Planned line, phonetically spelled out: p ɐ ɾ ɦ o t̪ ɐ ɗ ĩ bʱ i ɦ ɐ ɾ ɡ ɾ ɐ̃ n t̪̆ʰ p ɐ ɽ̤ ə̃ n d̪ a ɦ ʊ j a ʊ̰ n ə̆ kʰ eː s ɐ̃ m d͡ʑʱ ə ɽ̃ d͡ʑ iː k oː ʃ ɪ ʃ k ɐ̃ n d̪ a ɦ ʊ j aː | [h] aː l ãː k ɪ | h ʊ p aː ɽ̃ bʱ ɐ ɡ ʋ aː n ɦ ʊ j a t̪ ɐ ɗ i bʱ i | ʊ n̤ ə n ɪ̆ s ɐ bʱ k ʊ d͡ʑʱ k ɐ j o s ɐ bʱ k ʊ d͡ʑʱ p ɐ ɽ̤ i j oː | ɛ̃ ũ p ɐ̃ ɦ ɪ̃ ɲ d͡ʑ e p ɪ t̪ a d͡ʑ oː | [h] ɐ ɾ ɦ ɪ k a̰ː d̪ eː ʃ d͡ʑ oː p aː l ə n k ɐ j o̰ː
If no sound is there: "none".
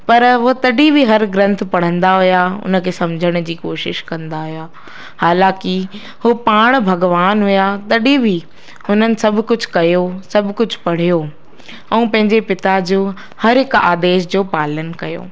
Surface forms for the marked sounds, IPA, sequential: h, h

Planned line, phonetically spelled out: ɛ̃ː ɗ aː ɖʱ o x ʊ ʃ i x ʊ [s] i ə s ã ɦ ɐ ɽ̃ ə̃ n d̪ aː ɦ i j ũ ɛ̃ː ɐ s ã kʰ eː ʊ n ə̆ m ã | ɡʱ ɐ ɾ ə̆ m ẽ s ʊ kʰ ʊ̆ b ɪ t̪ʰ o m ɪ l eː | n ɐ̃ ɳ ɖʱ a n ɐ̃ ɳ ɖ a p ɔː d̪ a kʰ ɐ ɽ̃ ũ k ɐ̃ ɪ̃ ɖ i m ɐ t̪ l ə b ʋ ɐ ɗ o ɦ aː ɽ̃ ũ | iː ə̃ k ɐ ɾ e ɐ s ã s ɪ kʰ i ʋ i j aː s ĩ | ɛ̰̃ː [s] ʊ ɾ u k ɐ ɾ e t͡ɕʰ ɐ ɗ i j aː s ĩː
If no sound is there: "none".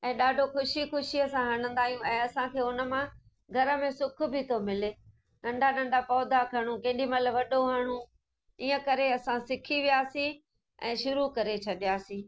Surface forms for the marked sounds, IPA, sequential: ʃ, ʃ

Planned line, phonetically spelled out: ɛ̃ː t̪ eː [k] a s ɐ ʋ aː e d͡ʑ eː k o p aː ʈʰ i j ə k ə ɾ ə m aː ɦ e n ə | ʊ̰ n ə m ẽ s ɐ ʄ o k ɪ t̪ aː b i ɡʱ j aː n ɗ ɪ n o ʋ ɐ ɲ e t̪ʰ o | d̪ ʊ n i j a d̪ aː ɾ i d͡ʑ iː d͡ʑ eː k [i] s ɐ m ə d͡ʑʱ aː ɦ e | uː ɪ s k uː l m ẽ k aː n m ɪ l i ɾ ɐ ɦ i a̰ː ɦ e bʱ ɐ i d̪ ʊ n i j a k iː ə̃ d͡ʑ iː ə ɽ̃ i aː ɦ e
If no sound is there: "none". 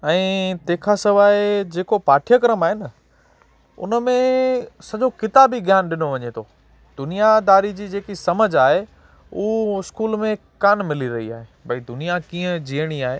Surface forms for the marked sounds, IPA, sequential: kʰ, i

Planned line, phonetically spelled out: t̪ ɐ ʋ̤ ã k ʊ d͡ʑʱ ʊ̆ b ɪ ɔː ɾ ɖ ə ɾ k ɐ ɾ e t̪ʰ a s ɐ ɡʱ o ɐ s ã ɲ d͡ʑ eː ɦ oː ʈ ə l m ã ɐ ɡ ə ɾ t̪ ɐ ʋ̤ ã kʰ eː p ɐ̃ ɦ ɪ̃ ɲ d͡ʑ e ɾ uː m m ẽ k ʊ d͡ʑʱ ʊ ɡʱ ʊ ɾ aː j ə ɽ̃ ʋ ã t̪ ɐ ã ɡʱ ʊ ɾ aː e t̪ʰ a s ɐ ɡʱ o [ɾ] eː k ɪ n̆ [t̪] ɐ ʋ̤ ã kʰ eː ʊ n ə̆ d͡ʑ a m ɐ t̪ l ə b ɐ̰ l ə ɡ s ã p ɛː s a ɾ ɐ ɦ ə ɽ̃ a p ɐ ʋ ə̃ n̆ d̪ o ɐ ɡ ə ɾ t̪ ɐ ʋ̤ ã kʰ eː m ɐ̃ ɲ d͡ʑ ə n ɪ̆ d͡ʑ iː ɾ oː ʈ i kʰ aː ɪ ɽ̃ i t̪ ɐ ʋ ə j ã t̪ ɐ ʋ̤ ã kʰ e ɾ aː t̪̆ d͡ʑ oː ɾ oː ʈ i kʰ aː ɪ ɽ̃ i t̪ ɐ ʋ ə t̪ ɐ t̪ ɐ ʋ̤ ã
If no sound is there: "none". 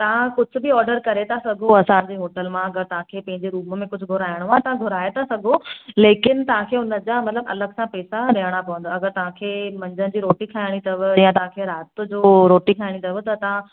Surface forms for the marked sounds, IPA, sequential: l, t̪

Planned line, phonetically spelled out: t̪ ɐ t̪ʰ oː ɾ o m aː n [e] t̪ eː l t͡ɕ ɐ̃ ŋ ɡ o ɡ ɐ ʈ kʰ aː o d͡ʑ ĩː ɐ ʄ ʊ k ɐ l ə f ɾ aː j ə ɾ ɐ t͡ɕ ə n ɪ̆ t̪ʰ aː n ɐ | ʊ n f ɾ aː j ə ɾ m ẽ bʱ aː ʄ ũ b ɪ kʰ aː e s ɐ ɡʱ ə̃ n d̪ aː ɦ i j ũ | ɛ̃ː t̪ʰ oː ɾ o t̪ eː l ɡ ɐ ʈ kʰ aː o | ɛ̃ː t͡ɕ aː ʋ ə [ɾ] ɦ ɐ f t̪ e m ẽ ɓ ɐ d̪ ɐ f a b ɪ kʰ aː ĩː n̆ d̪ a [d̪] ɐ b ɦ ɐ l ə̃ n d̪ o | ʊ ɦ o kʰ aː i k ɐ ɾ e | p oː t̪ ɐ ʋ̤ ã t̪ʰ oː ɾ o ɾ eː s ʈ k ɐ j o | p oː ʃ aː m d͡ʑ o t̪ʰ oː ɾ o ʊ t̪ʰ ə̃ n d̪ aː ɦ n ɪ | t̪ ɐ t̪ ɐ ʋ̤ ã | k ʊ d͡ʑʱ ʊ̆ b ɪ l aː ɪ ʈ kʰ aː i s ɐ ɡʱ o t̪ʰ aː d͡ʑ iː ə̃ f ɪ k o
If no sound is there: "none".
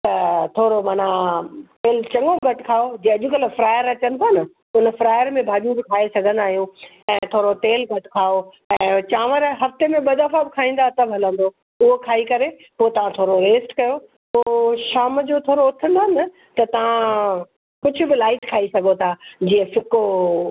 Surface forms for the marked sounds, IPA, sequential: a, ɾ, t̪

